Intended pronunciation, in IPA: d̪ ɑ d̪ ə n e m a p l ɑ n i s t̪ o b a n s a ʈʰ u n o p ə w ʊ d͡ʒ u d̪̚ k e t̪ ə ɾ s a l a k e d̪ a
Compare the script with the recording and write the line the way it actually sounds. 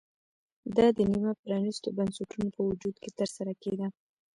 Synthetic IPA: d̪ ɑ d̪ ə n i m a p ɾ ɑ n i s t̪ o b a n s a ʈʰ u n o p ə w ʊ d͡ʒ u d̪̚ k e t̪ ə ɾ s a ɾ a k e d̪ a